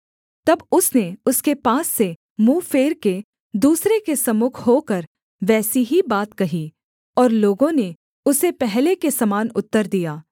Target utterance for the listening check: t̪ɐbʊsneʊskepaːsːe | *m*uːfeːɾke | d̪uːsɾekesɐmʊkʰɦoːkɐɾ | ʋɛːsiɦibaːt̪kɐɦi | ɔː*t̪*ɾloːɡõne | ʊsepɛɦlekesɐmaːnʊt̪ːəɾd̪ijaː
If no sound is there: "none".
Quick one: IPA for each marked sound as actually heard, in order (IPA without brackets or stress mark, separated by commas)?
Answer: m, none